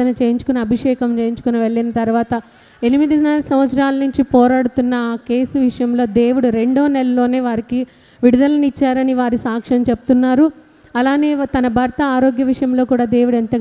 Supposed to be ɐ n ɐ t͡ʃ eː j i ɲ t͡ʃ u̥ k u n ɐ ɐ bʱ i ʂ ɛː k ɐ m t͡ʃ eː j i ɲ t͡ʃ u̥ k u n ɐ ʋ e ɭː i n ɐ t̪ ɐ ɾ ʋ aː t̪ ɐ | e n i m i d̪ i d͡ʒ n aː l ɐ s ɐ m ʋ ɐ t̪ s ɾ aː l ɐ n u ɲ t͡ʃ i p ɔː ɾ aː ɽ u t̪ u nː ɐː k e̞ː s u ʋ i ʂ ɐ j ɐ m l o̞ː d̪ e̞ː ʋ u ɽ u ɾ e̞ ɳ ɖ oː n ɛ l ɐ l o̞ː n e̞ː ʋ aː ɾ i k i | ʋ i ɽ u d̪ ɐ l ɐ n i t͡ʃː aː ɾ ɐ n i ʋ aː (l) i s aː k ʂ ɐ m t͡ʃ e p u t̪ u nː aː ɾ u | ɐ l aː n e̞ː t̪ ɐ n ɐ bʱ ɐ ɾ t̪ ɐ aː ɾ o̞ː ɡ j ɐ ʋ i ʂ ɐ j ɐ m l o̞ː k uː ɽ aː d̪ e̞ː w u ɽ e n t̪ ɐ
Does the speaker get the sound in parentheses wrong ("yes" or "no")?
yes